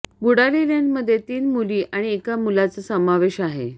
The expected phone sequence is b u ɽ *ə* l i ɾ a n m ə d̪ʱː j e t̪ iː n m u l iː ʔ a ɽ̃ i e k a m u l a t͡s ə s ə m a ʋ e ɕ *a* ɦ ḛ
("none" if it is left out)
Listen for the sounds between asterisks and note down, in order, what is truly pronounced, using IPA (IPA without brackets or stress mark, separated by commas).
a, a